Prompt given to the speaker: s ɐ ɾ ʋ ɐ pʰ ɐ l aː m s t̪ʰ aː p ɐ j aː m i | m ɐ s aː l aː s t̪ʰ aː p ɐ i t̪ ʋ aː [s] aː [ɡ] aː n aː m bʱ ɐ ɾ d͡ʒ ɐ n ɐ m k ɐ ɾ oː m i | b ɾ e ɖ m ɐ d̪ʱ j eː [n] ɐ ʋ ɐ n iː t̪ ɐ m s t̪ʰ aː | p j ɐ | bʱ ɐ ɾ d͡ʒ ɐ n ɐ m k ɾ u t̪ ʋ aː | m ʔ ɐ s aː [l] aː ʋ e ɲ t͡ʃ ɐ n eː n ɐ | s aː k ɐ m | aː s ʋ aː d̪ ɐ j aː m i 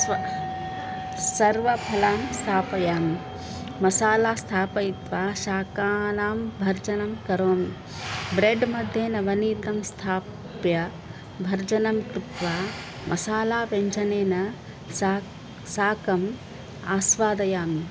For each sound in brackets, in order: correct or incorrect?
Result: incorrect: ʃ, incorrect: k, correct, correct

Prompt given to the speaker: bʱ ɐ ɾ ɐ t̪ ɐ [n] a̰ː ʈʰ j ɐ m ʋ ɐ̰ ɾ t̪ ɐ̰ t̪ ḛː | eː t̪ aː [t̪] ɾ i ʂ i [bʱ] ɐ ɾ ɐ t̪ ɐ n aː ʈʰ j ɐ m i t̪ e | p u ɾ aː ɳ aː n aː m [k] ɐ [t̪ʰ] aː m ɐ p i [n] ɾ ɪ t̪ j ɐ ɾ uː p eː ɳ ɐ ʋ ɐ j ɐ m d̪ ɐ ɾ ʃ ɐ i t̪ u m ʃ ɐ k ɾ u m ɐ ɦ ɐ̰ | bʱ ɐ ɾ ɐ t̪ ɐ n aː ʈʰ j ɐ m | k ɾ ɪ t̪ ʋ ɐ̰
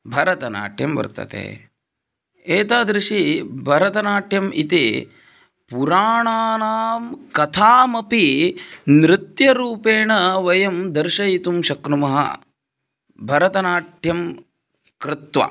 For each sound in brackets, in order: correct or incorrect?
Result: correct, incorrect: d̪, correct, correct, correct, correct

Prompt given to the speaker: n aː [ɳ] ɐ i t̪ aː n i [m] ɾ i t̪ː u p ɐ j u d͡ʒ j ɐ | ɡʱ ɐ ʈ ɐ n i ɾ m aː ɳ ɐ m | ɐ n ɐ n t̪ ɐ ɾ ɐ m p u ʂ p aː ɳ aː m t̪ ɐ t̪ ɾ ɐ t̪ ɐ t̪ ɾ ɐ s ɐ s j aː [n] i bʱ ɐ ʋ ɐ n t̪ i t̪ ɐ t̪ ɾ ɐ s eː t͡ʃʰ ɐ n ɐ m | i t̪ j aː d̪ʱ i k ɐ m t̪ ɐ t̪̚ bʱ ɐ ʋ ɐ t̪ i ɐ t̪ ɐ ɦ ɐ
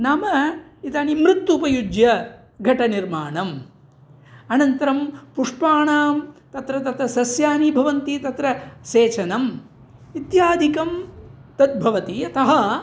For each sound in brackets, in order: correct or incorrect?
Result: incorrect: m, correct, correct

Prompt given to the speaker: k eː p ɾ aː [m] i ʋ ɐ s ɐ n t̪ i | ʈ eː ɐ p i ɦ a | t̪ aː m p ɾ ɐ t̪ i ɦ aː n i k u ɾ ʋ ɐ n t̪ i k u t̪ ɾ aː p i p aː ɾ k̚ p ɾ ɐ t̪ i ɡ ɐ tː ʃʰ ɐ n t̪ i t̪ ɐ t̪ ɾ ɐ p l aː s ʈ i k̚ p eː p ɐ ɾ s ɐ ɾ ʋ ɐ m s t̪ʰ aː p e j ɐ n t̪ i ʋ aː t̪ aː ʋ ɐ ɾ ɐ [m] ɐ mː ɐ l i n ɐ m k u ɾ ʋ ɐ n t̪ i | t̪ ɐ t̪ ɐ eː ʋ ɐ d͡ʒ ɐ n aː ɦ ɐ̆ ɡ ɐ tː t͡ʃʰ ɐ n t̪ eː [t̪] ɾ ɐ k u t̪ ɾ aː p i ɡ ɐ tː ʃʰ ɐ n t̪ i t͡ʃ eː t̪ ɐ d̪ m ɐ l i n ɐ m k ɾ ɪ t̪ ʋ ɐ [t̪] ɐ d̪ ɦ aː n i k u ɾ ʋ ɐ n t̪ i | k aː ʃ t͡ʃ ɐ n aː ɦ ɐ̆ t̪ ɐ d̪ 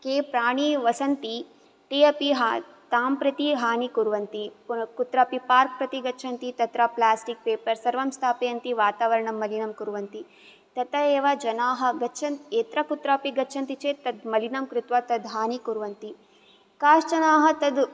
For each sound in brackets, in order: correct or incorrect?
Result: incorrect: ɳ, incorrect: ɳ, correct, correct

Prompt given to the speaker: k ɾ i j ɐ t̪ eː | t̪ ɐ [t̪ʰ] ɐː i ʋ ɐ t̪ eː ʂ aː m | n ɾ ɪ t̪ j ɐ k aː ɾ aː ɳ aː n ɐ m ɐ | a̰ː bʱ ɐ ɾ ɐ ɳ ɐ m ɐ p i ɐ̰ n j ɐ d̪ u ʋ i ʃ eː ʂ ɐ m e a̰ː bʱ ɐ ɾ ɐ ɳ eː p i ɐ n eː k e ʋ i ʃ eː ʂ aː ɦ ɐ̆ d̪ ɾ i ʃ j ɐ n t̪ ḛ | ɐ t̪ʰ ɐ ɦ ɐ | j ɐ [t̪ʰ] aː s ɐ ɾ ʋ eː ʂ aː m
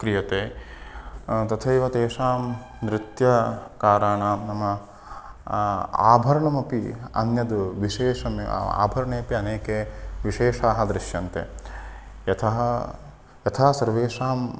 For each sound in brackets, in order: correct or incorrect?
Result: correct, correct

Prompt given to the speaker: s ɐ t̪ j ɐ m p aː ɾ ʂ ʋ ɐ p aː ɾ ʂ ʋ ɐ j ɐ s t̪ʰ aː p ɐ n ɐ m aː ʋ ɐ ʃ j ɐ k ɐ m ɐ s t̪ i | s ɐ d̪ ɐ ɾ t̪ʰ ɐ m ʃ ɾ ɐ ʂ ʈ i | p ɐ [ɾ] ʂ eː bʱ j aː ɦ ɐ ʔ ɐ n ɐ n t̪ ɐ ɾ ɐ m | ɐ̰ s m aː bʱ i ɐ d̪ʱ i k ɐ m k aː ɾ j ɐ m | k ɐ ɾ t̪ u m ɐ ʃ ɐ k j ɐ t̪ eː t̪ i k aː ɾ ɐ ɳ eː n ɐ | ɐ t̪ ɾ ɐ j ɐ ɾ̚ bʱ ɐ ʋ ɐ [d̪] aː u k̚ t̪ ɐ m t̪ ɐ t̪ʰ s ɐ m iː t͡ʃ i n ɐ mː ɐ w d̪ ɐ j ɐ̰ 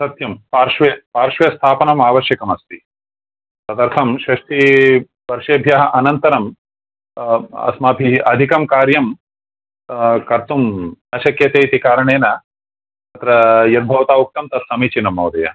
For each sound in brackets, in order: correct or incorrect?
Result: correct, incorrect: t̪

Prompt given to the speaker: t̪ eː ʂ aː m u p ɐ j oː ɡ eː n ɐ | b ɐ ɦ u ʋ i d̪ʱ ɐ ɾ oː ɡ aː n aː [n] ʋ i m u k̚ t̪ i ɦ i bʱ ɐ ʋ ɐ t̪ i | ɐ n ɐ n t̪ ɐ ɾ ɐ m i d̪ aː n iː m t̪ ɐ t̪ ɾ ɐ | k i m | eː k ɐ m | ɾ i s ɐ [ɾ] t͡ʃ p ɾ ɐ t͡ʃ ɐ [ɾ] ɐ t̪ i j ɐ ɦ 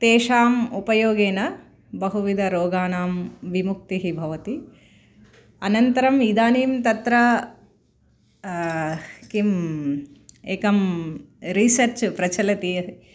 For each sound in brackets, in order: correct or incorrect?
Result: incorrect: m, correct, incorrect: l

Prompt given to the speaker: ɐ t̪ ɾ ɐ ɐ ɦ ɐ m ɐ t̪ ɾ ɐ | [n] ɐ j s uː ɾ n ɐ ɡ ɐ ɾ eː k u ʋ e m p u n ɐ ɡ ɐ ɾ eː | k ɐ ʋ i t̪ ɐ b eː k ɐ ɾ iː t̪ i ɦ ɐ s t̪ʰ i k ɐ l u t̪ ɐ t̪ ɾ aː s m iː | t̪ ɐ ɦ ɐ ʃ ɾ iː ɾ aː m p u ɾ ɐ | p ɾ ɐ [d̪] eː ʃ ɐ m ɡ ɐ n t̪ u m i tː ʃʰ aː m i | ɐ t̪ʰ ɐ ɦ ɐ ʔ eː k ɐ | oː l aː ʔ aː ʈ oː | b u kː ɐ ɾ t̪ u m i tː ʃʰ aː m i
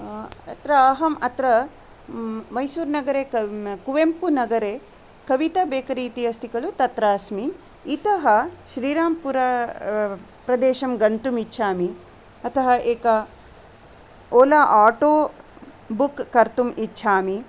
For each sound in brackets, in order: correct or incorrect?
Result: incorrect: m, correct

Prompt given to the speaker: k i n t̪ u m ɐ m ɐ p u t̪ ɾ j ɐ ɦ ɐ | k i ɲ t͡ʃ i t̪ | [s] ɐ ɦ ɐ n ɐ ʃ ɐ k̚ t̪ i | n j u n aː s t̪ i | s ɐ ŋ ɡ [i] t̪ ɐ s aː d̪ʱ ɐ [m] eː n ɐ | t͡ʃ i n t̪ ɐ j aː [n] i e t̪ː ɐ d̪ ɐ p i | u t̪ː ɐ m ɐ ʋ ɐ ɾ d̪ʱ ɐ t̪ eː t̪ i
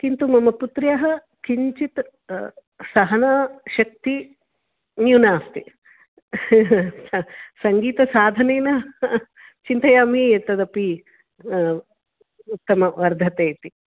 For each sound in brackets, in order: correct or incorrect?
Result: correct, incorrect: iː, incorrect: n, incorrect: m

